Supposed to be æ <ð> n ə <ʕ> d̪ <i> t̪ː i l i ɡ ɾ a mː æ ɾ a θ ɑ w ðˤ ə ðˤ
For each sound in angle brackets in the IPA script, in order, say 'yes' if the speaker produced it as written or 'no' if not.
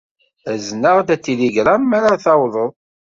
no, no, no

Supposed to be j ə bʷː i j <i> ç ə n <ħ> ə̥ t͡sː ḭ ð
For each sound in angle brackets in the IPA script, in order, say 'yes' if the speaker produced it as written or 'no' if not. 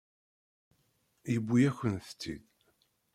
no, no

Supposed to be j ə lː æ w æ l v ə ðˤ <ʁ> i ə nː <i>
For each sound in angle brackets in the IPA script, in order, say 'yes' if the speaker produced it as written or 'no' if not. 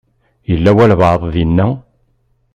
no, no

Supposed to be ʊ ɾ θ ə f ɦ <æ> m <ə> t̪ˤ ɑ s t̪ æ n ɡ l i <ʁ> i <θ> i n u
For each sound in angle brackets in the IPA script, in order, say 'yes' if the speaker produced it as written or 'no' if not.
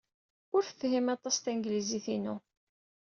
no, no, no, yes

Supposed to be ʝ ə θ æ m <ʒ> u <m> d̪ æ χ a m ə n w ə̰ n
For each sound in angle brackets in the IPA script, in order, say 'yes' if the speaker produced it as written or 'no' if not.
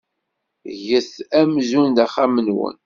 no, no

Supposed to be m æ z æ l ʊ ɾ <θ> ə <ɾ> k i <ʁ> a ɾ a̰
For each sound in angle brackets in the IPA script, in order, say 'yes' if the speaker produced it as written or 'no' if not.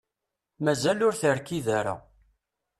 yes, yes, no

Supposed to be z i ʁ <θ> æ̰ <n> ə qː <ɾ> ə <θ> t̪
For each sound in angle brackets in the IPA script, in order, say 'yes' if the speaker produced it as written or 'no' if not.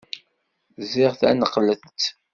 yes, yes, no, yes

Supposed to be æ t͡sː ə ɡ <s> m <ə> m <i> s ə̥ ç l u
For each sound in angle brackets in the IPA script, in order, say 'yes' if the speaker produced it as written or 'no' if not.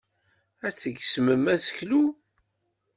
yes, yes, no

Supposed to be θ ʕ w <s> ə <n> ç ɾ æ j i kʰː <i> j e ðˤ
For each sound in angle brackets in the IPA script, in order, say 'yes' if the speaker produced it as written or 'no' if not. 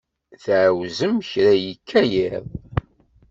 no, no, no

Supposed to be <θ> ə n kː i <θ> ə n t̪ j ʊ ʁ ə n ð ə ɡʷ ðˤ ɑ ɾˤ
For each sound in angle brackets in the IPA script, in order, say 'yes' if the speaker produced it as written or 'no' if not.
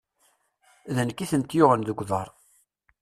no, yes

